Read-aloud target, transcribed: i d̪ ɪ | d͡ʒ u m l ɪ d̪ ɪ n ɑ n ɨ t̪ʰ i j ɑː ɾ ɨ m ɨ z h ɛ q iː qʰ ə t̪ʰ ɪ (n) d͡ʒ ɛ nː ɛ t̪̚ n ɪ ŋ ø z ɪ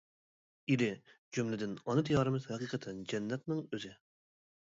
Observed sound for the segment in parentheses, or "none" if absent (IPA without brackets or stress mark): n